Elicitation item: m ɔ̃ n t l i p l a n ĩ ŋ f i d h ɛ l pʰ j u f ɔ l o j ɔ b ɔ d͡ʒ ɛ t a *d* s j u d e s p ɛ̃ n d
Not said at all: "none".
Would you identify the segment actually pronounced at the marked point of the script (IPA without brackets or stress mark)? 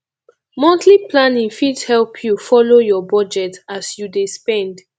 none